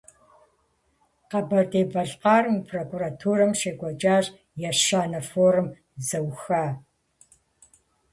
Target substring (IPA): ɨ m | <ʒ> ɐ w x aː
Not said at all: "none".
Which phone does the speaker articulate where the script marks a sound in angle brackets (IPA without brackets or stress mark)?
z